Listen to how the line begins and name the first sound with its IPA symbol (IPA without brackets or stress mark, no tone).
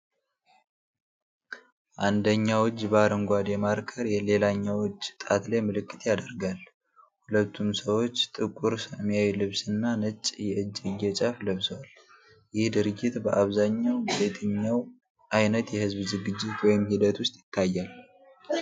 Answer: ʔ